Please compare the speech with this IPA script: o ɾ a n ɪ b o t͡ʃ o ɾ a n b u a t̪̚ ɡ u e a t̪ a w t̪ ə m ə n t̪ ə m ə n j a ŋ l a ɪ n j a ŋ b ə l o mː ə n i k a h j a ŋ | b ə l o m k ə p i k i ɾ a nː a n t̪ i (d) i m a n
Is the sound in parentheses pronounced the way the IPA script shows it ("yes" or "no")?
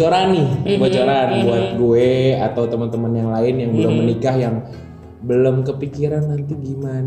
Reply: no